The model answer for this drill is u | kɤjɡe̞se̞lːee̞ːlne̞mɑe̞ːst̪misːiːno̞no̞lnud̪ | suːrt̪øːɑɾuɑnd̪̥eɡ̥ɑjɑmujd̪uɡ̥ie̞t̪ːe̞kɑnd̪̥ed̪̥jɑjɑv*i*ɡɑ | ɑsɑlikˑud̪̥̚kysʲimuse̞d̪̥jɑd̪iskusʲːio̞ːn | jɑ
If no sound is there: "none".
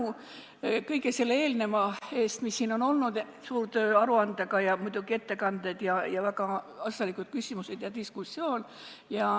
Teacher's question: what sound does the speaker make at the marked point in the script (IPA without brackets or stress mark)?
æ